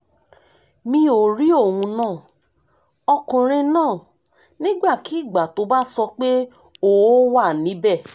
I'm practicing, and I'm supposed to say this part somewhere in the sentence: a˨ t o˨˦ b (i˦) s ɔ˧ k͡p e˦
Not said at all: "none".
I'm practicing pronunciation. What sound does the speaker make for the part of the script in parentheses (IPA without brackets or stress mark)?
a˦